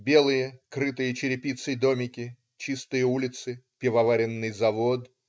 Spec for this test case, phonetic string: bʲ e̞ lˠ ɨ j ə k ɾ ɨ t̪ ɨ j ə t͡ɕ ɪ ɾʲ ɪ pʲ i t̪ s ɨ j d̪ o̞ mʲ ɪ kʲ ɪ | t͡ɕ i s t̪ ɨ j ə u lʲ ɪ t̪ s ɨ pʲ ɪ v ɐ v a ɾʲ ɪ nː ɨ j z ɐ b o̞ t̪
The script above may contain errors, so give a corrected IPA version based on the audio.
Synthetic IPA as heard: bʲ e̞ lˠ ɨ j ə k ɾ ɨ t̪ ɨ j ə t͡ɕ ɪ ɾʲ ɪ pʲ i t̪ s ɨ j d̪ o̞ mʲ ɪ kʲ ɪ | t͡ɕ i s t̪ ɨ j ə u lʲ ɪ t̪ s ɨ pʲ ɪ v ɐ v a ɾʲ ɪ nː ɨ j z ɐ v o̞ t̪

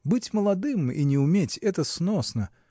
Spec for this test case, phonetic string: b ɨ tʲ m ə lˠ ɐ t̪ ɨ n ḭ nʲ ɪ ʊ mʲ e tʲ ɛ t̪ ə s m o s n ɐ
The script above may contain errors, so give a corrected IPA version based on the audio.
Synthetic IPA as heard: b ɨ tʲ m ə lˠ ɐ d̪ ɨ m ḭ nʲ ɪ ʊ mʲ e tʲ ɛ t̪ ə s n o s n ə

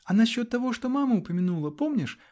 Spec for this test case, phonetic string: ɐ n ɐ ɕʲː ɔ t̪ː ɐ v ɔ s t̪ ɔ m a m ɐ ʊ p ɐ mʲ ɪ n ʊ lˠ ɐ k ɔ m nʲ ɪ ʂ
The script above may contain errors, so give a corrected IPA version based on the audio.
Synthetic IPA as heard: ɐ n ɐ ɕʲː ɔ t̪ː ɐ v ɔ ʂ t̪ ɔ m a m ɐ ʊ p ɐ mʲ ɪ n u lˠ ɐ p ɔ m nʲ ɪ ʂ

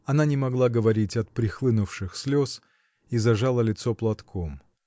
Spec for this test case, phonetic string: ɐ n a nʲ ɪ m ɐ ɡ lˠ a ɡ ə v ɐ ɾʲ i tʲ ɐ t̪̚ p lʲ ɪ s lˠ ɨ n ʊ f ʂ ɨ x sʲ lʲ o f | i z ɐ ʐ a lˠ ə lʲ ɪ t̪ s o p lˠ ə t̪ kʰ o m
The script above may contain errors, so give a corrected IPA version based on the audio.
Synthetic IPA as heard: ɐ n a nʲ ɪ m ɐ ɡ lˠ a ɡ ə v ɐ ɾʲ i tʲ ɐ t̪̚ p ɾʲ ɪ x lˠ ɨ n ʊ f ʂ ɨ x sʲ lʲ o s | i z ɐ ʐ a lˠ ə lʲ ɪ t̪ s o p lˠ ɐ t̪ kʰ o m

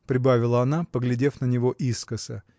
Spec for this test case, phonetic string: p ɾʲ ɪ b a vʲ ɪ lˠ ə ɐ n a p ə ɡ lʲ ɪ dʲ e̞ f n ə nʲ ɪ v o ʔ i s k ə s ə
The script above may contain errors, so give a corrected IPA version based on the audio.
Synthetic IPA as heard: p ɾʲ ɪ b a vʲ ɪ lˠ ə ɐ n a p ə ɡ lʲ ɪ dʲ e̞ f n ə nʲ ɪ v o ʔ i s k ə s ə

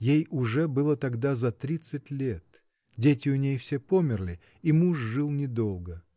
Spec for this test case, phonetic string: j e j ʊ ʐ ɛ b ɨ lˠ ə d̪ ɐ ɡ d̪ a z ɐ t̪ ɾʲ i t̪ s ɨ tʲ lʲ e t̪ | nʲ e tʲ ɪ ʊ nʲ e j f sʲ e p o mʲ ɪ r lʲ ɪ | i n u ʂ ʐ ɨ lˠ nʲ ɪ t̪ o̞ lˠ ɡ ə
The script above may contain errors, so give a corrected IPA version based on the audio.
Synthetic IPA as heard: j e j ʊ ʐ ɛ b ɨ lˠ ə t̪ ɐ ɡ d̪ a z ɐ t̪ ɾʲ i t̪ s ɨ tʲ lʲ e t̪ | dʲ e tʲ ɪ ʊ nʲ e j f sʲ e p o mʲ ɪ r lʲ ɪ | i m u ʂ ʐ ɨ lˠ nʲ ɪ d̪ o̞ lˠ ɡ ə

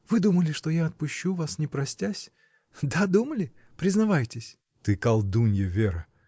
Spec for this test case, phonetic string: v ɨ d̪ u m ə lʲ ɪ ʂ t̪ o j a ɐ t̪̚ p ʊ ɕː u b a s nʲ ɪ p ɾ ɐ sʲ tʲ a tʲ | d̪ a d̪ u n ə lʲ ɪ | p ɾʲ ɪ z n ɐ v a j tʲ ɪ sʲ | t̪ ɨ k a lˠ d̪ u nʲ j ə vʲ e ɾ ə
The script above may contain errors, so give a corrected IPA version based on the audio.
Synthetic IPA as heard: v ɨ d̪ u m ə lʲ ɪ ʂ t̪ o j a ɐ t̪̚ p ʊ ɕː u v a s nʲ ɪ p ɾ ɐ sʲ tʲ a sʲ | d̪ a d̪ u m ə lʲ ɪ | p ɾʲ ɪ z n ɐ v a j tʲ ɪ sʲ | t̪ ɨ k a lˠ d̪ u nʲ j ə vʲ e ɾ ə

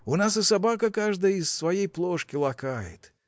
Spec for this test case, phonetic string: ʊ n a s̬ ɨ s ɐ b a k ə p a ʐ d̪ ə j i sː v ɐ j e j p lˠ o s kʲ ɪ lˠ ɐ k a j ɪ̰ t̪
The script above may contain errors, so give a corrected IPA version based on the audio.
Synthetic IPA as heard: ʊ n a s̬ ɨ s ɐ b a k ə k a ʐ d̪ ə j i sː v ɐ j e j p lˠ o ʂ kʲ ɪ lˠ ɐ k a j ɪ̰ t̪

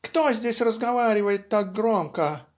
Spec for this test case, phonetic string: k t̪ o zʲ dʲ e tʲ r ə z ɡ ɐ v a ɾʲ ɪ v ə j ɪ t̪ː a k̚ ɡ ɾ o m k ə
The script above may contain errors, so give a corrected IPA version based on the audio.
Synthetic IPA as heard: k t̪ o zʲ dʲ e sʲ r ə z ɡ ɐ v a ɾʲ ɪ v ə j ɪ t̪ː a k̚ ɡ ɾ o m k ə

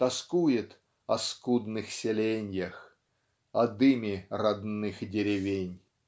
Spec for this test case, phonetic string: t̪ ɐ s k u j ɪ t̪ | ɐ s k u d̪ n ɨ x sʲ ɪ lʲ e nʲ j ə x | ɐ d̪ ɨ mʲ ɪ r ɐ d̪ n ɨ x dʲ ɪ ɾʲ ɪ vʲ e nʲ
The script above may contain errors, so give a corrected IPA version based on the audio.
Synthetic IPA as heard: t̪ ɐ s k u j ɪ t̪ | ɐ s k u d̪ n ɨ x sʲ ɪ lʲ e nʲ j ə x | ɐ d̪ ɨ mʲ ɪ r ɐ d̪ n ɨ x dʲ ɪ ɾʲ ɪ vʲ e nʲ

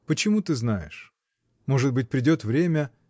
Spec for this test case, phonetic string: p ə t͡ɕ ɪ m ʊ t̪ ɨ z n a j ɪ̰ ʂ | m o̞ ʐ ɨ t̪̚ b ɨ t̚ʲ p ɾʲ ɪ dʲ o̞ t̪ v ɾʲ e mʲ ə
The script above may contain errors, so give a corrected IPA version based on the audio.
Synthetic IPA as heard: p ə t͡ɕ ɪ m u t̪ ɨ z n a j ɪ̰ ʂ | m o̞ ʐ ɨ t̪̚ b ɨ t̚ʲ p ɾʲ ɪ dʲ o̞ t̪ v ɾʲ e mʲ ə

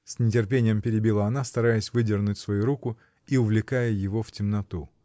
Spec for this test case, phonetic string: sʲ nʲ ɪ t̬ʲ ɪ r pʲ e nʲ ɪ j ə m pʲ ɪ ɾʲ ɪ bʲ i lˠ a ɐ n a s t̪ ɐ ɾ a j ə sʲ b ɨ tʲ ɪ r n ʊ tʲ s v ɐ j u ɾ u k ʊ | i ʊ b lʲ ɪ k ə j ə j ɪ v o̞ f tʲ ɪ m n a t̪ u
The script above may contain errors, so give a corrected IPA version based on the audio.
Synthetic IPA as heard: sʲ nʲ ɪ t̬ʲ ɪ r pʲ e nʲ ɪ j ə m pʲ ɪ ɾʲ ɪ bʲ i lˠ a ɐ n a s t̪ ɐ ɾ a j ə sʲ v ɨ dʲ ɪ r n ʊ tʲ s v ɐ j u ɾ u k ʊ | i ʊ v lʲ ɪ k a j ə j ɪ v o̞ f tʲ ɪ m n ɐ t̪ u

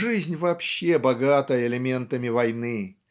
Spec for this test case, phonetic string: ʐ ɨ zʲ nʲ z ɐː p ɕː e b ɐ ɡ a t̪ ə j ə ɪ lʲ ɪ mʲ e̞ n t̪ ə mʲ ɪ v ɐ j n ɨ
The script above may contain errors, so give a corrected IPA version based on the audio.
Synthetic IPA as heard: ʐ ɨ zʲ nʲ v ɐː p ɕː e b ɐ ɡ a t̪ ə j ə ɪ lʲ ɪ mʲ e̞ n t̪ ə mʲ ɪ v ɐ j n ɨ

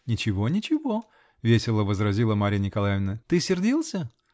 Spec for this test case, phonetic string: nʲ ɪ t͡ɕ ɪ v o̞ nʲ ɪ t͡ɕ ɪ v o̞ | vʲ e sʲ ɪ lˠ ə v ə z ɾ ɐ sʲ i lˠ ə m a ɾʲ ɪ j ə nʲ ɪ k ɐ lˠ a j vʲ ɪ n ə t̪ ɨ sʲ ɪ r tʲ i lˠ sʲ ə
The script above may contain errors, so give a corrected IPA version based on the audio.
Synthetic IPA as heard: nʲ ɪ t͡ɕ ɪ v o̞ nʲ ɪ t͡ɕ ɪ v o̞ | vʲ e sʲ ɪ lˠ ə v ə z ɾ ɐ zʲ i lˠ ə m a ɾʲ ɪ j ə nʲ ɪ k ɐ lˠ a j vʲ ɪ n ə t̪ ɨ sʲ ɪ r dʲ i lˠ sʲ ə

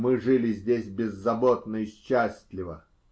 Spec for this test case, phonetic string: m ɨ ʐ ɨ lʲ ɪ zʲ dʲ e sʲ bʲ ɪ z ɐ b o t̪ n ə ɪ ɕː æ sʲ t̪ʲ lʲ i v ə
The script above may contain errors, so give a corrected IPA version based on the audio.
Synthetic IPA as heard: m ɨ ʐ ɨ lʲ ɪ zʲ dʲ e sʲ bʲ ɪ zː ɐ b o t̪ n ə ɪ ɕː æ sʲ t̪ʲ lʲ ɪ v ə

